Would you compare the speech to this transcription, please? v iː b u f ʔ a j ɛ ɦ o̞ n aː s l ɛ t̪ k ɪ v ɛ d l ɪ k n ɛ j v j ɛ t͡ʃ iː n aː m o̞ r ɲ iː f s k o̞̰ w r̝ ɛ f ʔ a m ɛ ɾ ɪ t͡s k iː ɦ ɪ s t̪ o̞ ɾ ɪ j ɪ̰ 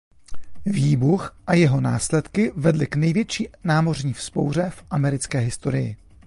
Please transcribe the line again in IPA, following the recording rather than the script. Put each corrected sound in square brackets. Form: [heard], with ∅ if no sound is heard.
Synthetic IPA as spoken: v iː b u [x] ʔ a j ɛ ɦ o̞ n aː s l ɛ t̪ k ɪ v ɛ d l ɪ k n ɛ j v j ɛ t͡ʃ iː n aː m o̞ r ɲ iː f s [p] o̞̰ w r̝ ɛ f ʔ a m ɛ ɾ ɪ t͡s k [ɛː] ɦ ɪ s t̪ o̞ ɾ ɪ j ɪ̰